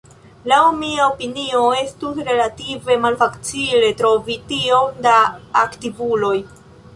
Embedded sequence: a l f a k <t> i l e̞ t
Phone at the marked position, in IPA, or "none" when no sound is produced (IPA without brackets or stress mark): t͡s